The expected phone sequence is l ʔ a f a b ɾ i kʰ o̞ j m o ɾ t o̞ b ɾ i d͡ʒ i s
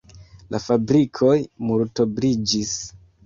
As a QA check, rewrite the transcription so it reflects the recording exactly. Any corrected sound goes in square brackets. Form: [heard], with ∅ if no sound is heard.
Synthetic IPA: l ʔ a f a b ɾ i kʰ o̞ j m [u] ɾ t o̞ b ɾ i d͡ʒ i s